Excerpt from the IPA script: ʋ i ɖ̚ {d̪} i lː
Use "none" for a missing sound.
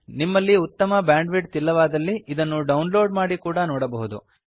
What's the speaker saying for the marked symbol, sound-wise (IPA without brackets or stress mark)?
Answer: t̪